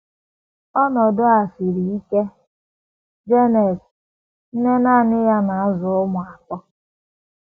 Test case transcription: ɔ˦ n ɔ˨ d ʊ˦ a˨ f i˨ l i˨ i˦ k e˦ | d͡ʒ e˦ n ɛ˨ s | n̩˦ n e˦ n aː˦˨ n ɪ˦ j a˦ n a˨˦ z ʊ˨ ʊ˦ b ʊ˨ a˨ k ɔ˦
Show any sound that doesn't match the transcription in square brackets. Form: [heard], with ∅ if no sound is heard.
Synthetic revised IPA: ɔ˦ n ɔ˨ d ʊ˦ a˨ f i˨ [ɾ] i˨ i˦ k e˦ | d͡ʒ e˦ n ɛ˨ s | n̩˦ n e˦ n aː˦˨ n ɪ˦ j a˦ n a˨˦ z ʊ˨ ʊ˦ [m] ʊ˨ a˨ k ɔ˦

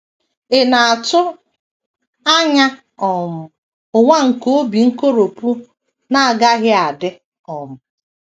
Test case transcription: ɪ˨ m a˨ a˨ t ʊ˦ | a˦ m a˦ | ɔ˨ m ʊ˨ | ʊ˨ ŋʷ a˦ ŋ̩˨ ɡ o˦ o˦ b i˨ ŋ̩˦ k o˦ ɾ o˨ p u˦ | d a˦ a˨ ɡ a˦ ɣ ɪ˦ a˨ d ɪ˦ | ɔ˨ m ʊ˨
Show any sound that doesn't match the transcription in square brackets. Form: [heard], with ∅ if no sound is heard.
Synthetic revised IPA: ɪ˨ [n] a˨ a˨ t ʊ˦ | a˦ [ɲ] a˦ | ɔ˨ m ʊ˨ | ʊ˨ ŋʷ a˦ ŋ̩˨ [k] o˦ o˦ b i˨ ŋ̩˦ k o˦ ɾ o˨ p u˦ | [n] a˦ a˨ ɡ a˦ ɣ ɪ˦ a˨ d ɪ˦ | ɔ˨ m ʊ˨

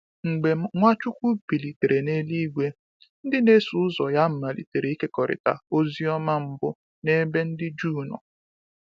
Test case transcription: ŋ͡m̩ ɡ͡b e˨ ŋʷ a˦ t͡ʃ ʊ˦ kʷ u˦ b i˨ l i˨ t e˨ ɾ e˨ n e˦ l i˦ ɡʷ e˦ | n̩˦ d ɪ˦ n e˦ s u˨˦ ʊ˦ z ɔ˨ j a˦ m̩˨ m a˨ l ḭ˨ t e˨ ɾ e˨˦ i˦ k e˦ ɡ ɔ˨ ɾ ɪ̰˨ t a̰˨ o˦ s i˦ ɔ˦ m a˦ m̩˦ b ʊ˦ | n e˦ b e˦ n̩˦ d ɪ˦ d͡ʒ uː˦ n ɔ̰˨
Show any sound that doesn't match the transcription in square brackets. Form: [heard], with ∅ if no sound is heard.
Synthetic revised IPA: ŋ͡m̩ ɡ͡b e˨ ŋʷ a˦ t͡ʃ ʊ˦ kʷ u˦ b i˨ l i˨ t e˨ ɾ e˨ n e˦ l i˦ ɡʷ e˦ | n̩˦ d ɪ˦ n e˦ s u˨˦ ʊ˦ z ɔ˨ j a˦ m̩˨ m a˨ l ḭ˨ t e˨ ɾ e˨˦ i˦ k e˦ [k] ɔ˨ ɾ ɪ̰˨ t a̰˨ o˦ [z] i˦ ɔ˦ m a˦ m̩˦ b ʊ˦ | n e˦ b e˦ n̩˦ d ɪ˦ d͡ʒ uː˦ n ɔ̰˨

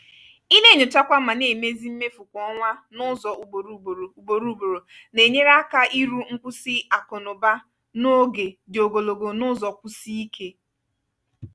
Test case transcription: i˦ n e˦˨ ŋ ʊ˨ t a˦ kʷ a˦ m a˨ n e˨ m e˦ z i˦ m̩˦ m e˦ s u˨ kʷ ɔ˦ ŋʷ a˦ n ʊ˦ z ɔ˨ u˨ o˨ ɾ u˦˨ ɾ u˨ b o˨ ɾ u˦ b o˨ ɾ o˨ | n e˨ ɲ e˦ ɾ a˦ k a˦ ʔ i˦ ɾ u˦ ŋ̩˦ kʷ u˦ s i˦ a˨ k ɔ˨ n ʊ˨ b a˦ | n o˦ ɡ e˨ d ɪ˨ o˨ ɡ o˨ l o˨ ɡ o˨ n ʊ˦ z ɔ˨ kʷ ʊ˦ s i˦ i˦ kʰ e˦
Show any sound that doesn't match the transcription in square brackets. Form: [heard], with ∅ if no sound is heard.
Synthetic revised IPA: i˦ n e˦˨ [ɲ] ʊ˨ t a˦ kʷ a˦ m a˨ n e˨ m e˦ z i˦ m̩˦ m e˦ [f] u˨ kʷ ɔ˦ ŋʷ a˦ n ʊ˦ z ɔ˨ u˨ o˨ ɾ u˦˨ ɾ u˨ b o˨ ɾ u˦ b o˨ ɾ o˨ | n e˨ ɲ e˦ ɾ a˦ k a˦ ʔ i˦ ɾ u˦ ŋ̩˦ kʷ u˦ s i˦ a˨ k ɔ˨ n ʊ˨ b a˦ | n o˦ ɡ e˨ d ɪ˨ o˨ ɡ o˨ l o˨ ɡ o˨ n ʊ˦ z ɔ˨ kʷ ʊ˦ s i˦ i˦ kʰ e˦

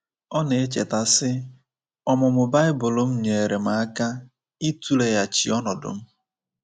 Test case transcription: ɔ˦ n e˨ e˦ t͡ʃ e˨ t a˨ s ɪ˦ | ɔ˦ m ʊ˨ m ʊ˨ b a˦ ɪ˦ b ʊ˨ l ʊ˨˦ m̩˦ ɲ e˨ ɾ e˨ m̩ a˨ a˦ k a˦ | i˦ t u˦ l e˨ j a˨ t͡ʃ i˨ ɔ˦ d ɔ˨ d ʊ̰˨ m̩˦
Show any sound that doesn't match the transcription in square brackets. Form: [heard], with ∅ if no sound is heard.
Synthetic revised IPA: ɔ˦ n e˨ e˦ t͡ʃ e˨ t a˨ s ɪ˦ | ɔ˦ m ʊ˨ m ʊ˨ b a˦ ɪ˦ b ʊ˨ l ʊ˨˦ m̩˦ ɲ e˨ ɾ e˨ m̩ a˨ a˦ k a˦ | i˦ t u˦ l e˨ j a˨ t͡ʃ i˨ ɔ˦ [n] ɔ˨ d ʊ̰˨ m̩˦

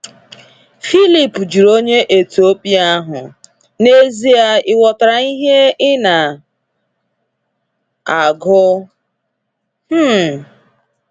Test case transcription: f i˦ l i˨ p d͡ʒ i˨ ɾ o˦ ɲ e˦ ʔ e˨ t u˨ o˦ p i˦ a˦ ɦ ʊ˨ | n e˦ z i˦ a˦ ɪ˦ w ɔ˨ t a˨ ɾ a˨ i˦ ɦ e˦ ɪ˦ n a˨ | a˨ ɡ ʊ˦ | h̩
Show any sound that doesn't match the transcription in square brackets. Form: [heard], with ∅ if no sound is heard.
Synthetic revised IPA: f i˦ l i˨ p d͡ʒ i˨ ɾ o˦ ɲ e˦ ʔ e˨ t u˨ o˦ p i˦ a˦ ɦ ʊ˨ | n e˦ z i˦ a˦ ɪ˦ w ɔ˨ t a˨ ɾ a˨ i˦ ɦ e˦ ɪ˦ n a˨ | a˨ ɡ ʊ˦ | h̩

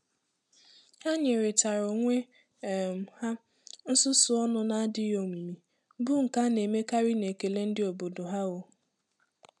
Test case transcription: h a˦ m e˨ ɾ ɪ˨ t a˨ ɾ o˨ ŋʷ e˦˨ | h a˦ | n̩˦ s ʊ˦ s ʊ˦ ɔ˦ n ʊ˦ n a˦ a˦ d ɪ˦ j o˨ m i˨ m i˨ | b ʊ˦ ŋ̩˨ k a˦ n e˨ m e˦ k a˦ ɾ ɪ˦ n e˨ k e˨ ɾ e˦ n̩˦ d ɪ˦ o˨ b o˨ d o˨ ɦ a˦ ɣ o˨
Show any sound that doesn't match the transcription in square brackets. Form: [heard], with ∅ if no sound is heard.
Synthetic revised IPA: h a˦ [ɲ] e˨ ɾ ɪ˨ t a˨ ɾ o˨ ŋʷ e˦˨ | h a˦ | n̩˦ s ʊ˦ s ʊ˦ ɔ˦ n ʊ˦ n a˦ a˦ d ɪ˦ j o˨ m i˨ m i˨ | b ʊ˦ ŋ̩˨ k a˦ n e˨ m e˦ k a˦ ɾ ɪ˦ n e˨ k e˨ [l] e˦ n̩˦ d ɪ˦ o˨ b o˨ d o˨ ɦ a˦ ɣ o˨

